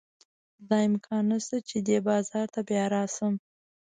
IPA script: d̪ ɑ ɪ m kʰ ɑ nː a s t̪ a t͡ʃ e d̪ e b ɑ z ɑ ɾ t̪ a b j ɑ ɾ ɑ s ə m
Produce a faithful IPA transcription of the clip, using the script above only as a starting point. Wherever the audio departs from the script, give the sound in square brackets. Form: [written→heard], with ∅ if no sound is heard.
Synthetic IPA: d̪ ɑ ɪ m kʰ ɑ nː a s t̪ a t͡ʃ e d̪ e b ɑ z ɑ ɾ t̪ a b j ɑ ɾ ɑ s ə m